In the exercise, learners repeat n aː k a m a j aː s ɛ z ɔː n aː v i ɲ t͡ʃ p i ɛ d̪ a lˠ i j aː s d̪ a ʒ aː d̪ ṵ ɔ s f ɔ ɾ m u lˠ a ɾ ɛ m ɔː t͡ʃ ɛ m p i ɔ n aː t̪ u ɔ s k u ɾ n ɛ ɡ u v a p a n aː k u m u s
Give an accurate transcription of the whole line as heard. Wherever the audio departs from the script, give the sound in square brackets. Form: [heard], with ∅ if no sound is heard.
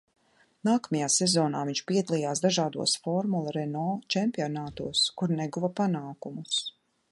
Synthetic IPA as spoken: n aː k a m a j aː s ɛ z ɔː n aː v i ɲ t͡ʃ p i ɛ d̪ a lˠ i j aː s d̪ a ʒ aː d̪ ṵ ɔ s f ɔ ɾ m u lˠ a ɾ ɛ [n] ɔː t͡ʃ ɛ m p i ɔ n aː t̪ u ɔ s k u ɾ n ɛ ɡ u v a p a n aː k u m u s